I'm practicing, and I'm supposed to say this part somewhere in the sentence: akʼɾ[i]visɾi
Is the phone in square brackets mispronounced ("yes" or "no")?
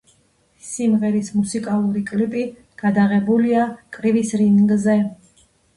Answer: no